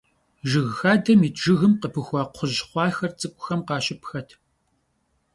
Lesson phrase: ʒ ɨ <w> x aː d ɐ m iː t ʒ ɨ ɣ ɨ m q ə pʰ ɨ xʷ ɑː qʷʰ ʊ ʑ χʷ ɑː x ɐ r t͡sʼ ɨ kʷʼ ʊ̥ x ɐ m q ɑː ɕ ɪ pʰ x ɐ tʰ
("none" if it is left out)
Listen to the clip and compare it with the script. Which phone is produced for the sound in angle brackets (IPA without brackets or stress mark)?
ɣ